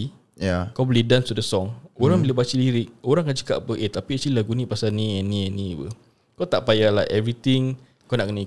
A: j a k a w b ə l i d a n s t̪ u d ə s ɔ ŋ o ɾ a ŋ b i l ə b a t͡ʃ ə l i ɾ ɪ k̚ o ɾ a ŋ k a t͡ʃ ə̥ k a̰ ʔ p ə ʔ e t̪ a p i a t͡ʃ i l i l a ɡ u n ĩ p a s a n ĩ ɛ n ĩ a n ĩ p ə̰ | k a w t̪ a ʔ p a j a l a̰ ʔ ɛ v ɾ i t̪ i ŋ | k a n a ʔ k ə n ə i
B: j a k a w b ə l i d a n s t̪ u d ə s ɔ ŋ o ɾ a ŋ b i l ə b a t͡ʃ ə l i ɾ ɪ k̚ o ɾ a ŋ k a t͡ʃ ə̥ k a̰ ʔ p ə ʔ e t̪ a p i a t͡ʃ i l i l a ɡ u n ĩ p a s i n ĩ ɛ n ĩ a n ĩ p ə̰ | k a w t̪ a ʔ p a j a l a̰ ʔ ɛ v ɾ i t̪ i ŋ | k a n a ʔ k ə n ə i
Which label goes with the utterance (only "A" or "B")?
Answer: A